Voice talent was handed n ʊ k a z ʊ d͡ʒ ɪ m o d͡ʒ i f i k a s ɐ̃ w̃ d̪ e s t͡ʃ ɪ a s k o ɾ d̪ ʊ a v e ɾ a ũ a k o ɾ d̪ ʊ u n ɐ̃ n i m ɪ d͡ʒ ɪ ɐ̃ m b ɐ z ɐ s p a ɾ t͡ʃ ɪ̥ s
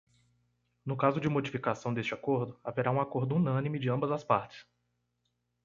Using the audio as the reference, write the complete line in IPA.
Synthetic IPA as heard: n ʊ k a z ʊ d͡ʒ ɪ m o d͡ʒ i f i k a s ɐ̃ w̃ d̪ e s t͡ʃ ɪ a k o ɾ d̪ ʊ a v e ɾ a ũ a k o ɾ d̪ ʊ u n ɐ̃ n i m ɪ d͡ʒ ɪ ɐ̃ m b ɐ z ɐ s p a ɾ t͡ʃ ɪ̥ s